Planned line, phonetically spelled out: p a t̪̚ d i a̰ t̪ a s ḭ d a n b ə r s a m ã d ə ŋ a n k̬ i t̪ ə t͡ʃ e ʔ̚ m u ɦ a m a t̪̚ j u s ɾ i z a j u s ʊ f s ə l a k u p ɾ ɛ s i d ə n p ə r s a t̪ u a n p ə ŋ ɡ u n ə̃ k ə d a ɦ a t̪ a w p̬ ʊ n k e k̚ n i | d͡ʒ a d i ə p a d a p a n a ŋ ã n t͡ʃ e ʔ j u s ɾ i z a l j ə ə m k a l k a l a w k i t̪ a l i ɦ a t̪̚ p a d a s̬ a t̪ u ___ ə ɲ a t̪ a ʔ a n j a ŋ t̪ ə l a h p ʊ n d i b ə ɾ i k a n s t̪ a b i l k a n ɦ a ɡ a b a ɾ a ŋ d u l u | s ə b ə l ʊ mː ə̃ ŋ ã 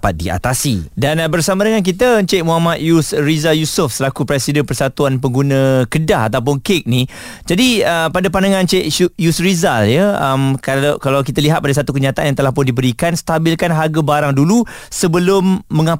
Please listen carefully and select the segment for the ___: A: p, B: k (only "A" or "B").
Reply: B